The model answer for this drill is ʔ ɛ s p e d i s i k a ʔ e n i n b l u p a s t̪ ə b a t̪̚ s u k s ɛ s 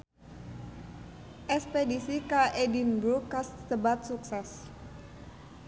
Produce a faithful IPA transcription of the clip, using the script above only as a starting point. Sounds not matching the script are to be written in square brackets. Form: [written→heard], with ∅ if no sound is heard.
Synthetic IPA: ʔ ɛ s p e d i s i k a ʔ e [n→d] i n b [l→ɾ] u [p→k] a s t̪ ə b a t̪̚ s u k s ɛ s